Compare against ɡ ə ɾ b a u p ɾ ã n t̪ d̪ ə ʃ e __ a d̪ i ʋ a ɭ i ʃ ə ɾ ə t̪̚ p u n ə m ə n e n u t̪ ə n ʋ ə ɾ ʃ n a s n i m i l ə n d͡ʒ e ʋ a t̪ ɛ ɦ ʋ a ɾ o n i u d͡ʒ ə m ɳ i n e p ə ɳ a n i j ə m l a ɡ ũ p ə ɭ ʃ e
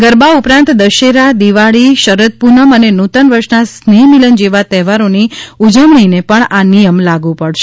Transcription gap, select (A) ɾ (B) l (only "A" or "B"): A